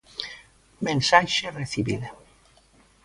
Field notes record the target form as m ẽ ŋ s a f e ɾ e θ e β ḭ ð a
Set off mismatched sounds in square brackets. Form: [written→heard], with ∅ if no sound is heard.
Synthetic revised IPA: m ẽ [ŋ→n] s a [f→ʃ] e [ɾ→r] e θ [e→i] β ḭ ð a